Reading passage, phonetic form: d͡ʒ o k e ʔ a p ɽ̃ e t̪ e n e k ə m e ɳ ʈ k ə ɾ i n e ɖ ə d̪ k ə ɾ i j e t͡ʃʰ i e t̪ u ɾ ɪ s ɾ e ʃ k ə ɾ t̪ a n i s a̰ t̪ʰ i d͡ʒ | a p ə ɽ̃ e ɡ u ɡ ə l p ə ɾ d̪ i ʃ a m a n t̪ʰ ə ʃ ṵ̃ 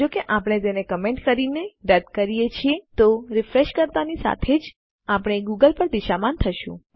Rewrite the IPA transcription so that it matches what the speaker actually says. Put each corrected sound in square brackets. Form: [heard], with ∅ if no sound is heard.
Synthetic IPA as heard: d͡ʒ o k e ʔ a p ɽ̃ e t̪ e n e k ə m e ɳ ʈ k ə ɾ i n e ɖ ə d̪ k ə ɾ i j e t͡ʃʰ i e t̪ [o] ɾ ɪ [f] ɾ e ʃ k ə ɾ t̪ a n i s a̰ t̪ʰ [e] d͡ʒ | a p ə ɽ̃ e ɡ u ɡ ə l p ə ɾ d̪ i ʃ a m a n t̪ʰ ə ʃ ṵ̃